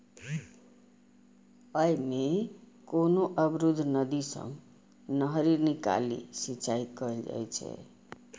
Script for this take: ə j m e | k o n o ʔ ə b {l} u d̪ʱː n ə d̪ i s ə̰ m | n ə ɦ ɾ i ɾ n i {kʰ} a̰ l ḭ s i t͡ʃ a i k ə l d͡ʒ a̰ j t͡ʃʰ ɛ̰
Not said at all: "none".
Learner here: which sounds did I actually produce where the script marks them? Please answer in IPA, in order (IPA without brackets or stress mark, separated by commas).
ɾ, k